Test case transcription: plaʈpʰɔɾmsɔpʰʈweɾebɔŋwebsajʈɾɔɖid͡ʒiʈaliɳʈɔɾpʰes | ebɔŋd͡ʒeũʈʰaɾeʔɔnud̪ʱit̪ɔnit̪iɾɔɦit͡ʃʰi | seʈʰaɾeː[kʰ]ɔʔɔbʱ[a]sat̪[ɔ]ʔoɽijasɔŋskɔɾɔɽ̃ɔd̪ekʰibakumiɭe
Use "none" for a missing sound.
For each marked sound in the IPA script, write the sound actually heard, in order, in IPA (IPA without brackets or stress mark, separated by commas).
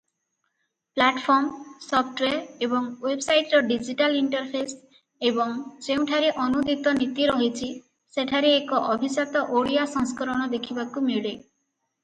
k, i, ɔ